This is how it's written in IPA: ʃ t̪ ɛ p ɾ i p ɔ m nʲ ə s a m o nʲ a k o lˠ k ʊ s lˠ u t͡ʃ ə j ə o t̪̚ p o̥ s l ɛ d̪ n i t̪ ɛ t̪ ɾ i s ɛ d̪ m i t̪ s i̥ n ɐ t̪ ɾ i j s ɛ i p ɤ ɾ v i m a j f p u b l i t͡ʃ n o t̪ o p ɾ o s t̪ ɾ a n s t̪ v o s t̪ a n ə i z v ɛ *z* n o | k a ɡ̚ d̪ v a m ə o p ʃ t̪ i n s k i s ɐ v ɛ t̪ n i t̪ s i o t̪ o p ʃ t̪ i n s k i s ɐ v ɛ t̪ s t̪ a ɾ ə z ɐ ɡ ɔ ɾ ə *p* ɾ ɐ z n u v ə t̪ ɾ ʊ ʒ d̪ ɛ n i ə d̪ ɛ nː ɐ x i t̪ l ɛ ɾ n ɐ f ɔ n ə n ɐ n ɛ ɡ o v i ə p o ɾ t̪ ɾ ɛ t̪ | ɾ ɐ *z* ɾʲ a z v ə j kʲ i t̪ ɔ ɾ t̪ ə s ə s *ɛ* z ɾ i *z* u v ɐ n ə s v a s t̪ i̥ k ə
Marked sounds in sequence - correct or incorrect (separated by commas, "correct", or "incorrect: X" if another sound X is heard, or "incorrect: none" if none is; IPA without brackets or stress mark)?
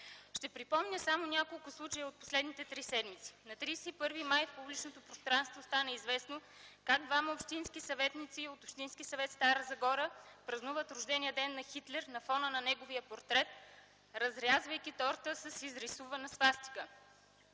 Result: incorrect: s, correct, correct, incorrect: i, incorrect: s